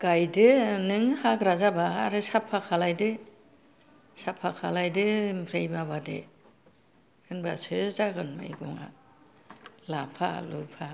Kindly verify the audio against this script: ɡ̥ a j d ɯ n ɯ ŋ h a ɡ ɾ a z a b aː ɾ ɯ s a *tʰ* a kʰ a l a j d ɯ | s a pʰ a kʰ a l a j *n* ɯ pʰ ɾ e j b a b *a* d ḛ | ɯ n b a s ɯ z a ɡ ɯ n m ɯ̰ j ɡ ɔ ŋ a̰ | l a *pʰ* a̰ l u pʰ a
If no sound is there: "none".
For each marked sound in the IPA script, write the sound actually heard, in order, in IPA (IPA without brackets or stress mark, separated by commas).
pʰ, d, a, pʰ